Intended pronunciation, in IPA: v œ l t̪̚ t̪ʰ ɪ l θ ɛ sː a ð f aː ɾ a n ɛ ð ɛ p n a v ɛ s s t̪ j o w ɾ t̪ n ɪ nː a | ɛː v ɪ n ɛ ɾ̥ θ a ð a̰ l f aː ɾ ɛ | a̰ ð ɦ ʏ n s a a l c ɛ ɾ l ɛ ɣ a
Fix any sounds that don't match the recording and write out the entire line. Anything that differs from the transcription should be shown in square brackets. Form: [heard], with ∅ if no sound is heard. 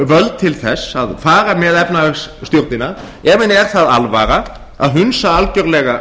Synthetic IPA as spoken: v œ l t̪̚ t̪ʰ ɪ l θ ɛ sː a ð f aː ɾ a [m] ɛ ð ɛ p n a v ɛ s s t̪ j o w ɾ t̪ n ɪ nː a | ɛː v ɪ n ɛ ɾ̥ θ a ð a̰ l [v] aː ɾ [a] | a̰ ð ɦ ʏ n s a a l c [œ] ɾ l ɛ ɣ a